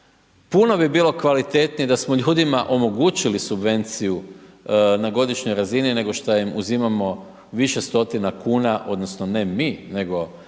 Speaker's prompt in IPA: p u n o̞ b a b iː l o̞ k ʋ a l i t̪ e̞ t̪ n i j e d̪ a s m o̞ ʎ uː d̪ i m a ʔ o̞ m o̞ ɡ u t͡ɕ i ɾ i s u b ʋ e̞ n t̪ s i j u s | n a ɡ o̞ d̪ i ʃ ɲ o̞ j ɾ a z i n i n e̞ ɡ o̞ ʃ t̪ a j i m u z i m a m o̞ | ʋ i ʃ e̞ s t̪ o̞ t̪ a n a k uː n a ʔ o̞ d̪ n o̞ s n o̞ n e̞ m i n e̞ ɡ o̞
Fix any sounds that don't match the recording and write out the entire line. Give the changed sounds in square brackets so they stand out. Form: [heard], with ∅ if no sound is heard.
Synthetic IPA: p u n o̞ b [i] b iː l o̞ k ʋ a l i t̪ e̞ t̪ n i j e d̪ a s m o̞ ʎ uː d̪ i m a ʔ o̞ m o̞ ɡ u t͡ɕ i [l] i s u b ʋ e̞ n t̪ s i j u [∅] | n a ɡ o̞ d̪ i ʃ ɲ o̞ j ɾ a z i n i n e̞ ɡ o̞ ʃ t̪ a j i m u z i m a m o̞ | ʋ i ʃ e̞ s t̪ o̞ t̪ [i] n a k uː n a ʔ o̞ d̪ n o̞ s n o̞ n e̞ m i n e̞ ɡ o̞